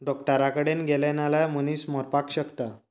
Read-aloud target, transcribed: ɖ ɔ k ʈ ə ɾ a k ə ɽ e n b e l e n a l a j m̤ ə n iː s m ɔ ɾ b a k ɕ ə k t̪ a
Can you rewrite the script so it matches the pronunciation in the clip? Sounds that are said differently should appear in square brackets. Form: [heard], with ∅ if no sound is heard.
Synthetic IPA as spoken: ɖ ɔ k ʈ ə ɾ a k ə ɽ e n [ɡ] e l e n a l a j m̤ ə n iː s m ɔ ɾ [p] a k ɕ ə k t̪ a